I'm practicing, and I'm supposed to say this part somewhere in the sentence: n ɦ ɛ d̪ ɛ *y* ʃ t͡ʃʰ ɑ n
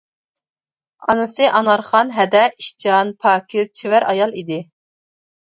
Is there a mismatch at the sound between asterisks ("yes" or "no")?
yes